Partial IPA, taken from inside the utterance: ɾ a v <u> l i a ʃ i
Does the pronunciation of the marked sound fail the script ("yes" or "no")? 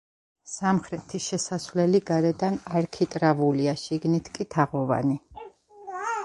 no